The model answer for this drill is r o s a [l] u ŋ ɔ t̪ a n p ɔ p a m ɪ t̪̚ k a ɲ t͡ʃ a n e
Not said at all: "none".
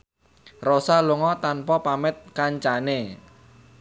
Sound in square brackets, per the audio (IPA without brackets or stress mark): l